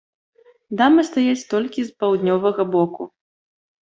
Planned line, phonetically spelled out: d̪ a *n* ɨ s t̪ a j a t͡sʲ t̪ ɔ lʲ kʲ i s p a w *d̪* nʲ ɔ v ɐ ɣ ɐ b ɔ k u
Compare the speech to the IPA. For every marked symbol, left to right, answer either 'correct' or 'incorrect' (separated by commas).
incorrect, correct